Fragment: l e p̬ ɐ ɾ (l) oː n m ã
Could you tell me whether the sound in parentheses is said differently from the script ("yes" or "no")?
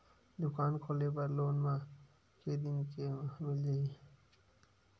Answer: no